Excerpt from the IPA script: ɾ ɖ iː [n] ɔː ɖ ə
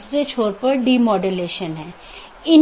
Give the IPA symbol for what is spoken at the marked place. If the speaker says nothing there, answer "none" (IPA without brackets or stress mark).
m